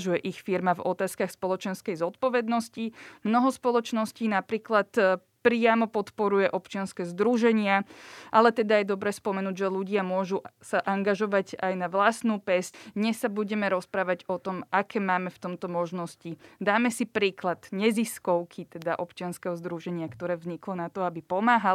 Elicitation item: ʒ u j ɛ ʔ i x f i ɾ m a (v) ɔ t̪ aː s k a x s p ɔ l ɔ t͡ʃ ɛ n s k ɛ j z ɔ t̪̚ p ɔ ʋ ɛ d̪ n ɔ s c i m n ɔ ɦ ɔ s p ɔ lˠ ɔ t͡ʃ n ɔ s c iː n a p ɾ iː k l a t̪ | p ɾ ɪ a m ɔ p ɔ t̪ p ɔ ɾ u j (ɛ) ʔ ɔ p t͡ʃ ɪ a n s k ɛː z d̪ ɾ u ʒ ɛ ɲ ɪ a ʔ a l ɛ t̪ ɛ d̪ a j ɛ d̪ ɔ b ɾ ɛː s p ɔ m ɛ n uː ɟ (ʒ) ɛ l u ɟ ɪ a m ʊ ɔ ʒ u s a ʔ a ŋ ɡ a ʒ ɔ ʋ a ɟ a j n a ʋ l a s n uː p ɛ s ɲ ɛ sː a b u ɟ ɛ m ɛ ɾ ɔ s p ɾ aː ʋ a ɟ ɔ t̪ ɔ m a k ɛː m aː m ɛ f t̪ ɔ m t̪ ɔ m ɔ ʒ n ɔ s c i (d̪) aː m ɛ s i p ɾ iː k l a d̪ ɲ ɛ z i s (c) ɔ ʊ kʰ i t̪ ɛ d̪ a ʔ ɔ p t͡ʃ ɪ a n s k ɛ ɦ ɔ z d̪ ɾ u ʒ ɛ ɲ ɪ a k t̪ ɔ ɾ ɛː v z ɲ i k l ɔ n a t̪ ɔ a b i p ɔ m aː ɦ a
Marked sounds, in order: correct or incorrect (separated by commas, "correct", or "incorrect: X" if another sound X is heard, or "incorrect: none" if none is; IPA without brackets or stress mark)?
correct, correct, correct, correct, incorrect: k